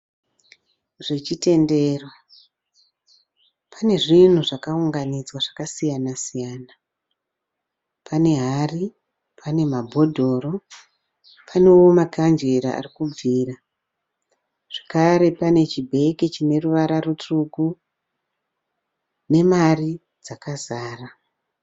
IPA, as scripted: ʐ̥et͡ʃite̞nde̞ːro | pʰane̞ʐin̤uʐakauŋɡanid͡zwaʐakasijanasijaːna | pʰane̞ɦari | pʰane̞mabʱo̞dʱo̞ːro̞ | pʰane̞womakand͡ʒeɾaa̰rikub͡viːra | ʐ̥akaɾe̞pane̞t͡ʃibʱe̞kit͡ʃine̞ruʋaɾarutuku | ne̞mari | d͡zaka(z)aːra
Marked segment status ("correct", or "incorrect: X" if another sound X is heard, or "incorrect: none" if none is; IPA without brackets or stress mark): correct